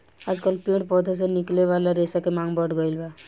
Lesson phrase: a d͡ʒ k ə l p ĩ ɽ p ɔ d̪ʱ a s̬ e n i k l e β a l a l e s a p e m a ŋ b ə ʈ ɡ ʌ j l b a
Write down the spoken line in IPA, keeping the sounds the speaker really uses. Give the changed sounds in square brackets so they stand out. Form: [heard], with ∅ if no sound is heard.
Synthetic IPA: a d͡ʒ k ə l p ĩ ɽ p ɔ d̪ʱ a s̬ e n i k l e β a l a [ɾ] e s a [k] e m a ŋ b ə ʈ ɡ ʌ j l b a